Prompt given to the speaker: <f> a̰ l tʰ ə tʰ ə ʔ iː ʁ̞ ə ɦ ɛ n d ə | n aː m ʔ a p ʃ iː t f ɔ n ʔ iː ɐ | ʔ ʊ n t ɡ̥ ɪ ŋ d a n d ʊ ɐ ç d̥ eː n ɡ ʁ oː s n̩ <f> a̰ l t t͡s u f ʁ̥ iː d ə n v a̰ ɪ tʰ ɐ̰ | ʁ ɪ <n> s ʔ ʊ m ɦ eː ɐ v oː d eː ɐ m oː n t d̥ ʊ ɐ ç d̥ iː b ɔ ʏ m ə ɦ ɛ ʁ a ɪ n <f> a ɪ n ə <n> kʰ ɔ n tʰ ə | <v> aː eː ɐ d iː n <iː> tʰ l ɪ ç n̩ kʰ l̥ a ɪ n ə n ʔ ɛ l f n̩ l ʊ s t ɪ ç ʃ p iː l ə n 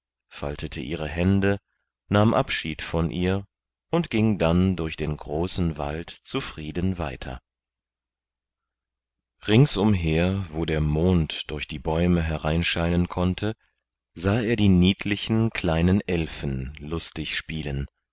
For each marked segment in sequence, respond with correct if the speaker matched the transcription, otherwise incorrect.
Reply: correct, incorrect: v, incorrect: ŋ, incorrect: ʃ, correct, incorrect: z, correct

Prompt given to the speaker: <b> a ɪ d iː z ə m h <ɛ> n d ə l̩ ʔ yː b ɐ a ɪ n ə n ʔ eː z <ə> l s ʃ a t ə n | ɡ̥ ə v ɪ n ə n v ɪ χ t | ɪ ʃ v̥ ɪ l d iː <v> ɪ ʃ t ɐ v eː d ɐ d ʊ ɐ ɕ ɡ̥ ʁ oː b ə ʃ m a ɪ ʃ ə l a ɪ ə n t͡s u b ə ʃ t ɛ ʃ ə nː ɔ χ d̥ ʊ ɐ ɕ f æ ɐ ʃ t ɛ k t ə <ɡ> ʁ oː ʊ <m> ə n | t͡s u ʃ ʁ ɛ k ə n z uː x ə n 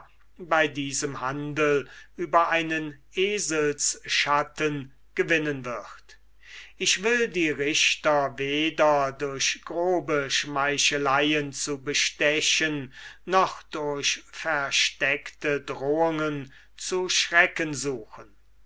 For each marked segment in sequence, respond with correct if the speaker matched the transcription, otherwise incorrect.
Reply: correct, incorrect: a, correct, incorrect: ʁ, incorrect: d, incorrect: ŋ

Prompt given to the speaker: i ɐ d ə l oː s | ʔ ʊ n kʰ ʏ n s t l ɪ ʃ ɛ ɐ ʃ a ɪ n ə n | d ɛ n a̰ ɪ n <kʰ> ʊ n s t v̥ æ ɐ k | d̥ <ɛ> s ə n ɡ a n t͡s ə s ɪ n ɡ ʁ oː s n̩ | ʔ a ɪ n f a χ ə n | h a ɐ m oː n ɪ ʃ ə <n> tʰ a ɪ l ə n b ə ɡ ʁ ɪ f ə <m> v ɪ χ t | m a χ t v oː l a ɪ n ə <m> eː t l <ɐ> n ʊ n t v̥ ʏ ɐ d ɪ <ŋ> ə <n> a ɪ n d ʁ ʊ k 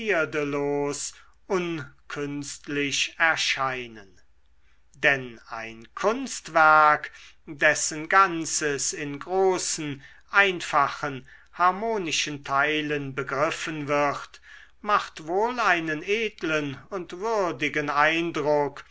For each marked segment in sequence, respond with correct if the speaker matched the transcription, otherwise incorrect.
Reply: correct, correct, correct, incorrect: n, incorrect: n, incorrect: ə, incorrect: ɡ, correct

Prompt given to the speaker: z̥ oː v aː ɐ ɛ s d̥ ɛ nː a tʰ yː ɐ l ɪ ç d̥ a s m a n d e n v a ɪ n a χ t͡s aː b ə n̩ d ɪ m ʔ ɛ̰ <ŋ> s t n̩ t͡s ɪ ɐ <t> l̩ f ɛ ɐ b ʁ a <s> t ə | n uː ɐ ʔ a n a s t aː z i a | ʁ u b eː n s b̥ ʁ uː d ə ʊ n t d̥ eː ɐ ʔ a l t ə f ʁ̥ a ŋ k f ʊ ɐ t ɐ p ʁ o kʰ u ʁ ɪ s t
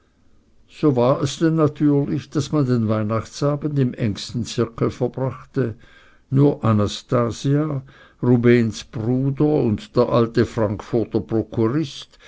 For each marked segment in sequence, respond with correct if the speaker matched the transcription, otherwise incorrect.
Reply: correct, incorrect: k, incorrect: χ

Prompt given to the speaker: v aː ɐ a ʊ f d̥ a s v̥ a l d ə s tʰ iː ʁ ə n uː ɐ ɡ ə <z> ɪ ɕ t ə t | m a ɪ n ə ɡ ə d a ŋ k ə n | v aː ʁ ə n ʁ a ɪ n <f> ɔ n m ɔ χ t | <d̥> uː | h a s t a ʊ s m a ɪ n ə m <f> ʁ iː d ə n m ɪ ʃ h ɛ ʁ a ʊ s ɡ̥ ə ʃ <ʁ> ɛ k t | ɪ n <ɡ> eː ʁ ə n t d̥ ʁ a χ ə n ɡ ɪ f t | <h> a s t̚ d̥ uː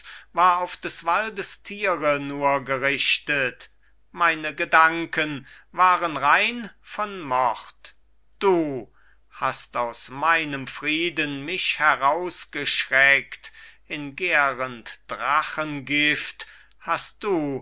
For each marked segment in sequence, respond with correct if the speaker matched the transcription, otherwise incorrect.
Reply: incorrect: ʁ, correct, correct, correct, correct, correct, correct

